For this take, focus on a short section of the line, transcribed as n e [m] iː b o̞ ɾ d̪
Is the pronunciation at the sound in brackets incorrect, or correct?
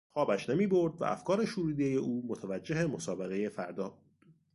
correct